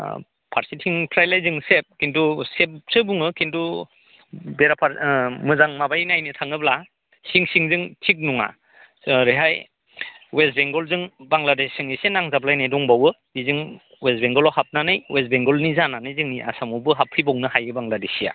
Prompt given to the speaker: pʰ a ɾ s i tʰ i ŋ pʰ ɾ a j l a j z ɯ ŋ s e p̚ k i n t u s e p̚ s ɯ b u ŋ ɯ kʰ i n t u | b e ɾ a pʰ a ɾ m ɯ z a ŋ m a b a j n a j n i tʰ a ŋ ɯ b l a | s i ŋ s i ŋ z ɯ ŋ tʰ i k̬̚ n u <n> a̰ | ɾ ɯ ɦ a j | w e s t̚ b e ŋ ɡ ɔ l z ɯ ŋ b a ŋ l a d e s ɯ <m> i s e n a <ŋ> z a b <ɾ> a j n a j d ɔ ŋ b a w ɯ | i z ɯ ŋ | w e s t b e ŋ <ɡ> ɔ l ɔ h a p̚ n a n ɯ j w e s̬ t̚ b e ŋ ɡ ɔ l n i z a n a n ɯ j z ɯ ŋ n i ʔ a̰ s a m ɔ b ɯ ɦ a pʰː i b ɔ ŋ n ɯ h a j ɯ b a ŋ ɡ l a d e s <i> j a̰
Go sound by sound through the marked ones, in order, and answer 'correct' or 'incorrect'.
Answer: incorrect: ŋ, incorrect: ŋ, correct, incorrect: l, correct, correct

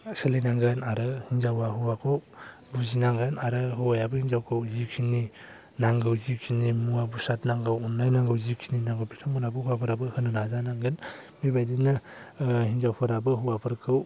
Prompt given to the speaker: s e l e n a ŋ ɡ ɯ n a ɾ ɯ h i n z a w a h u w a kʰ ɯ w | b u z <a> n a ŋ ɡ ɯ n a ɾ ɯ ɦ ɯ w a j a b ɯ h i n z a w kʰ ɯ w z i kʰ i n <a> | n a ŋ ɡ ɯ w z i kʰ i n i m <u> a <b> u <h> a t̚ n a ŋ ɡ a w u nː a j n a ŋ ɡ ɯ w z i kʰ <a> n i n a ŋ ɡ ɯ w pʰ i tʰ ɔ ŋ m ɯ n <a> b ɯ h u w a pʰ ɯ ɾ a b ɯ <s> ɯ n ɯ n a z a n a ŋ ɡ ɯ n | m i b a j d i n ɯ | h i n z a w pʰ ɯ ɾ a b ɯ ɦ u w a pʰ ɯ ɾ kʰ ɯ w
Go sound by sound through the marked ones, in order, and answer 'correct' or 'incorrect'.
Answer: incorrect: i, incorrect: i, correct, correct, incorrect: s, incorrect: i, correct, incorrect: h

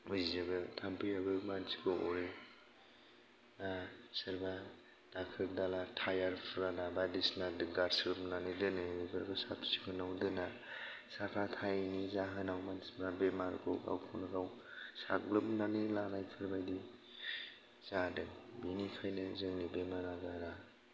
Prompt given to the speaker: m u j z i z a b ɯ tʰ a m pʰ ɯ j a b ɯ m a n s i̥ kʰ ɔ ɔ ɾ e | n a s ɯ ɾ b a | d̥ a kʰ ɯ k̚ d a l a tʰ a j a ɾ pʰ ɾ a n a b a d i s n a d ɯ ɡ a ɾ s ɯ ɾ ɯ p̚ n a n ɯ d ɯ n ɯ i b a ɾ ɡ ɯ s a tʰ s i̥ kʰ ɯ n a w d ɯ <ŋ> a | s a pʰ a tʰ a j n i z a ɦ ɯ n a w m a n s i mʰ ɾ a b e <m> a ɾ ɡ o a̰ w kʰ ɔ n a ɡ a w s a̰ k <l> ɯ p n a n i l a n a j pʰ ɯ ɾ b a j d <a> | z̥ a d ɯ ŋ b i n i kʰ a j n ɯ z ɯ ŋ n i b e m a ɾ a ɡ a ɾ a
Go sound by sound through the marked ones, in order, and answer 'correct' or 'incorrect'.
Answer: incorrect: n, correct, correct, incorrect: i

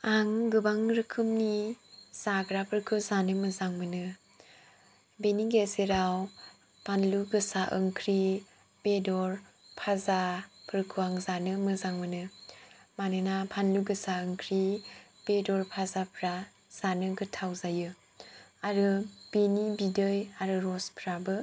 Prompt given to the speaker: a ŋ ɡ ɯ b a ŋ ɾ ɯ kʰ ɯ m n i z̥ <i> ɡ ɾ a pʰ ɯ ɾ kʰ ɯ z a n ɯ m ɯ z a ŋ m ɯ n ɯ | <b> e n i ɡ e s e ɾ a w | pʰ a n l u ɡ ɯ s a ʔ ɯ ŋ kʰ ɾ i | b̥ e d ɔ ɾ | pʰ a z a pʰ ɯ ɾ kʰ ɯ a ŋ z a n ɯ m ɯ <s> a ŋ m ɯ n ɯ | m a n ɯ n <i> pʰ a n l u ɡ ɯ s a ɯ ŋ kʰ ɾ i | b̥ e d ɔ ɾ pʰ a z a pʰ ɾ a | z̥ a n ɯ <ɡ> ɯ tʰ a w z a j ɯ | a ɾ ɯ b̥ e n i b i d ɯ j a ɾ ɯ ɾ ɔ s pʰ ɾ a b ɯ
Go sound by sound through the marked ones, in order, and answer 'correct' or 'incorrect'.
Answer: incorrect: a, correct, incorrect: z, incorrect: a, correct

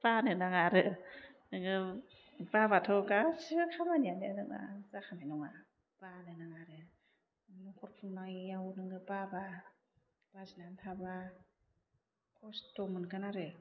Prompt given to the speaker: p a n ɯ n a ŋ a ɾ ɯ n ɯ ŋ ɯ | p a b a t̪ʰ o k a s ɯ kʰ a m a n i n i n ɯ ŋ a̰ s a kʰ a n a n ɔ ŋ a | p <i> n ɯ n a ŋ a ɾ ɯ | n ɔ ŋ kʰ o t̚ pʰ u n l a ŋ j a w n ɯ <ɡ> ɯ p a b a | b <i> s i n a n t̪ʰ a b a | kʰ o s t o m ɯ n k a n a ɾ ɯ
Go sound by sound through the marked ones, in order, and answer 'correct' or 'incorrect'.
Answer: incorrect: a, incorrect: ŋ, incorrect: a

